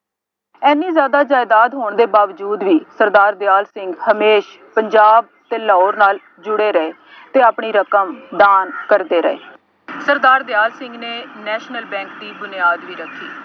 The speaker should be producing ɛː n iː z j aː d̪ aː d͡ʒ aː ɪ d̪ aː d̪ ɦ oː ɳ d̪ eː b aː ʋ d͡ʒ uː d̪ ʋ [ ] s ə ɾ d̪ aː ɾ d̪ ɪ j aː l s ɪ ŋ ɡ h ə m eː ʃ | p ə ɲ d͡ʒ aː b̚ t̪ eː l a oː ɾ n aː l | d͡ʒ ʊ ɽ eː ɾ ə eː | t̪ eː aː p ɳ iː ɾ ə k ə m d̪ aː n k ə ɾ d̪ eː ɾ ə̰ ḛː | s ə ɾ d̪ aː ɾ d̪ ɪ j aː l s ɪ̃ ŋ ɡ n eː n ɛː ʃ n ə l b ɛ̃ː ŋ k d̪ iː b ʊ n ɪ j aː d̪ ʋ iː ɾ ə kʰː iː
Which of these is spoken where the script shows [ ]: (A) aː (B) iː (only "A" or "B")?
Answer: B